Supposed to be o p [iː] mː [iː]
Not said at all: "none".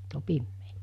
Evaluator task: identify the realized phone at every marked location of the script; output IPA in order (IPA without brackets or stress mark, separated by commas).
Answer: i, eː